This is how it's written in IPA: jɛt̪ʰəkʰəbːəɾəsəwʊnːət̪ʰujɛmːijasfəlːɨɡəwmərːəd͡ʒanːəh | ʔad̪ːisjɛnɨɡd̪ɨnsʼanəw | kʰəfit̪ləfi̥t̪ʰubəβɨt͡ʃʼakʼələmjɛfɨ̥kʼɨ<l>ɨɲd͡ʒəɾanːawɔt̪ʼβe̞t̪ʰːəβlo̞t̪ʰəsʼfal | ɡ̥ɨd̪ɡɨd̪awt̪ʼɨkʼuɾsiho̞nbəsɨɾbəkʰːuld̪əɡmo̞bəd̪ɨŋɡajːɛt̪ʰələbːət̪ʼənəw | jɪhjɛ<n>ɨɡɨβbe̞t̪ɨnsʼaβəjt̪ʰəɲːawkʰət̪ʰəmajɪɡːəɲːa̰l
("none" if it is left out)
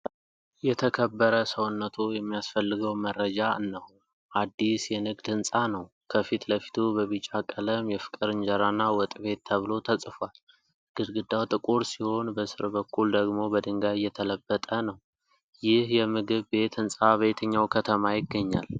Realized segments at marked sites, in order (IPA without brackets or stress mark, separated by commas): ɾ, m